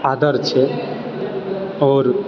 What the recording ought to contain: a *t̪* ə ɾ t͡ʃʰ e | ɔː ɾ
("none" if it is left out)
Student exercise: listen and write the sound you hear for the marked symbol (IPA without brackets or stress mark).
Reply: d̪